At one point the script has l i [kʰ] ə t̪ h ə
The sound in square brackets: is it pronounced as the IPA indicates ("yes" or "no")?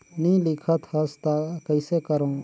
yes